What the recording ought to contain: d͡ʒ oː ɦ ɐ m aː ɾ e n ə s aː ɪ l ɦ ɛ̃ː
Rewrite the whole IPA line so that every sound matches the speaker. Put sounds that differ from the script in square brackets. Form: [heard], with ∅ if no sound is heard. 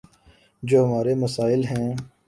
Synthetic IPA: d͡ʒ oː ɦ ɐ m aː ɾ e [m] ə s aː ɪ l ɦ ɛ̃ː

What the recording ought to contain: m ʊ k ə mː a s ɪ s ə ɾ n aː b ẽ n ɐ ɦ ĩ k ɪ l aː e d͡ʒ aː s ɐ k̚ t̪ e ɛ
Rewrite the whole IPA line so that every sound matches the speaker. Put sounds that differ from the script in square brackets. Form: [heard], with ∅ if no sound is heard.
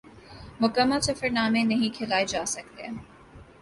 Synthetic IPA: m ʊ k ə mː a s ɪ [f] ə ɾ n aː [m] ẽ n ɐ ɦ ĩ [kʰ] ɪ l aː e d͡ʒ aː s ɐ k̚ t̪ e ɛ

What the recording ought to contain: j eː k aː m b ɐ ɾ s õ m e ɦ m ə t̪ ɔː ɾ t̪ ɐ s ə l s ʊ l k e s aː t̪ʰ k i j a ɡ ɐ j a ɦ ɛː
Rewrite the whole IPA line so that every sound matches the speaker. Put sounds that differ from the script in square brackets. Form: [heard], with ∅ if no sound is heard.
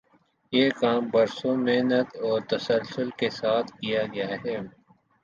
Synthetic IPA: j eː k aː m b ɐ ɾ s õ m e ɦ [n] ə t̪ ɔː ɾ t̪ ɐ s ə l s ʊ l k e s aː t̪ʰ k i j a ɡ ɐ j a ɦ ɛː

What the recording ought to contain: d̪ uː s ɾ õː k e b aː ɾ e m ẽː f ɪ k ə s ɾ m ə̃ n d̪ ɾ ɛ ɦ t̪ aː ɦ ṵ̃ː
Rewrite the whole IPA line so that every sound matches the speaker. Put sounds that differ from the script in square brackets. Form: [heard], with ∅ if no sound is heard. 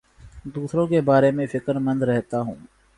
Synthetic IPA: d̪ uː s ɾ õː k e b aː ɾ e m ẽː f ɪ k ə [∅] ɾ m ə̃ n d̪ ɾ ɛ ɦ t̪ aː ɦ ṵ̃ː

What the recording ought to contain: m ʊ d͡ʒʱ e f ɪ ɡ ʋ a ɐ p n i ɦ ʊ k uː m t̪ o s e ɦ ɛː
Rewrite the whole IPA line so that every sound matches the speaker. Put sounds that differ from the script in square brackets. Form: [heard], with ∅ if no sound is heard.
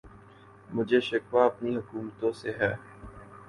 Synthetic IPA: m ʊ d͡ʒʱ e [ʃ] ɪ [k] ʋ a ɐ p n i ɦ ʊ k uː m t̪ [õ] s e ɦ ɛː

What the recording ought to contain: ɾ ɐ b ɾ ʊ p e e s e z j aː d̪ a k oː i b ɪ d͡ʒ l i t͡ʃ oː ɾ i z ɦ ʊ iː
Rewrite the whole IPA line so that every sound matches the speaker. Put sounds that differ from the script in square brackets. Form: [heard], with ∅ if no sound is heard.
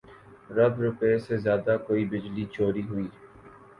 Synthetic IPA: ɾ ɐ b ɾ ʊ p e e s e z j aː d̪ a k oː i b ɪ d͡ʒ l i t͡ʃ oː ɾ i [∅] ɦ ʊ iː

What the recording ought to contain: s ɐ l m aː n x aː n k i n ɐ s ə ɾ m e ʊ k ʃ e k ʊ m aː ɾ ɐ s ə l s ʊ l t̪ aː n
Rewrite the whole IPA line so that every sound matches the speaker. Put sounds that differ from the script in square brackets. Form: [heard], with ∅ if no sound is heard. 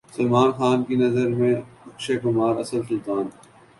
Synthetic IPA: s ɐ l m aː n x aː n k i n ɐ [z] ə ɾ m [ẽ] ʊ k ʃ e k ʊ m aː ɾ ɐ s ə l s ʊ l t̪ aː n

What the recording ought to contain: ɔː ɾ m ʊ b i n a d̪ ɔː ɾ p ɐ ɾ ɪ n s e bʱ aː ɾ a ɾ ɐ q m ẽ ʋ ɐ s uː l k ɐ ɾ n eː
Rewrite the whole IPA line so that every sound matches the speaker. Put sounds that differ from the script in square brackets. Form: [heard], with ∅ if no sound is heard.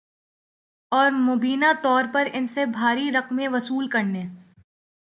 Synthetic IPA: ɔː ɾ m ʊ b [iː] n a [t̪] ɔː ɾ p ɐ ɾ ɪ n s e bʱ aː ɾ [i] ɾ ɐ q m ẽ ʋ ɐ s uː l k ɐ ɾ n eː

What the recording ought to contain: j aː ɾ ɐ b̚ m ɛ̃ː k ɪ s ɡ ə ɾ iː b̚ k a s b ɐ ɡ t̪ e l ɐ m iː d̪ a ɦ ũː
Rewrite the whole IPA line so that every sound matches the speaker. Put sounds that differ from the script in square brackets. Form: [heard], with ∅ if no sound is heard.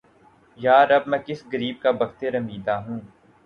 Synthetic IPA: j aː ɾ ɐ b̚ m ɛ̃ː k ɪ s ɡ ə ɾ iː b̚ k a [∅] b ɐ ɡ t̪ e [ɾ] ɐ m iː d̪ a ɦ ũː

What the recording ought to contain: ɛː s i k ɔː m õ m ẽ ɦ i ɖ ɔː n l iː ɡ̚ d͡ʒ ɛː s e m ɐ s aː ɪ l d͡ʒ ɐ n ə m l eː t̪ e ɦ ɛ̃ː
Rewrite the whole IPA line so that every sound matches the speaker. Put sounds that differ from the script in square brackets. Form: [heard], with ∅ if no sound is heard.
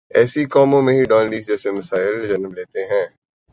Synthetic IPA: ɛː s i k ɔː m õ m ẽ ɦ i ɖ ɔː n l iː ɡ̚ d͡ʒ ɛː s e m ɐ s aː ɪ l d͡ʒ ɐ n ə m l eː t̪ e ɦ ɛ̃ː

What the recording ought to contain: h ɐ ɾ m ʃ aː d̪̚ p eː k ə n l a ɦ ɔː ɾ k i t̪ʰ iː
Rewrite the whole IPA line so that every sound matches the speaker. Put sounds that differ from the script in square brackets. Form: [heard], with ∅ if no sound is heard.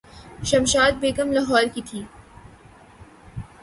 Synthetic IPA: [ʃ] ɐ [∅] m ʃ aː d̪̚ [b] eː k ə [m] l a ɦ ɔː ɾ k i t̪ʰ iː

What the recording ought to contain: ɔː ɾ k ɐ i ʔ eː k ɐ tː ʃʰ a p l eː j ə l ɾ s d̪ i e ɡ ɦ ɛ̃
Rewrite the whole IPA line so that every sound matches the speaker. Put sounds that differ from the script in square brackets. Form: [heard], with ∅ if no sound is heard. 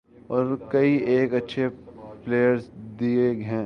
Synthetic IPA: ɔː ɾ k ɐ i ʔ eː k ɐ tː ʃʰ [e] p l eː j ə [∅] ɾ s d̪ i e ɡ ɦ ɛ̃

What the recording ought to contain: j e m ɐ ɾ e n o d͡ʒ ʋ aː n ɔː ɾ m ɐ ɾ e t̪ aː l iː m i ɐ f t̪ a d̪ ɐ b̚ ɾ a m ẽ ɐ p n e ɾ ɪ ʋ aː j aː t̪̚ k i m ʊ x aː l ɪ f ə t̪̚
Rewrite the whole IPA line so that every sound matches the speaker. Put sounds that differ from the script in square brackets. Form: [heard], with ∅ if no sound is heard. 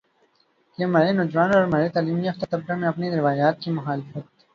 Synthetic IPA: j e m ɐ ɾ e n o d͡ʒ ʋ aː n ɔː ɾ m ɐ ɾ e t̪ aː l iː m i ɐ f t̪ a [t̪] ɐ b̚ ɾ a m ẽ ɐ p n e ɾ ɪ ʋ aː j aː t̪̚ k i m ʊ x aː l ɪ f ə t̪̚

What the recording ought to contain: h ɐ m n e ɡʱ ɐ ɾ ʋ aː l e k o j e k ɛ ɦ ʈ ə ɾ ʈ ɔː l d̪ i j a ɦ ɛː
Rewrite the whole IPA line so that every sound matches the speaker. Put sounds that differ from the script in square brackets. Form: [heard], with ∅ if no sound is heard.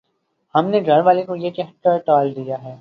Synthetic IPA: h ɐ m n e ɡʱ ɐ ɾ ʋ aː l e k o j e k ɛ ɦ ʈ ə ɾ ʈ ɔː l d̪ i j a ɦ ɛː

